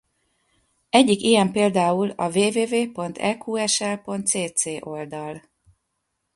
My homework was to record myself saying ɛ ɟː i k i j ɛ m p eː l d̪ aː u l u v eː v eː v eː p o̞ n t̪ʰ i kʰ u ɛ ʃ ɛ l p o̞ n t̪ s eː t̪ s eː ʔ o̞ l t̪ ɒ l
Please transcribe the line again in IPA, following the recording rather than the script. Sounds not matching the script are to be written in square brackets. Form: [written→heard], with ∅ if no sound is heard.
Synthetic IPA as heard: ɛ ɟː i k i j ɛ m p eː l d̪ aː u l [u→ɒ] v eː v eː v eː p o̞ n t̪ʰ [i→ɛ] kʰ u ɛ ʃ ɛ l p o̞ n t̪ s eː t̪ s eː ʔ o̞ l [t̪→d̪] ɒ l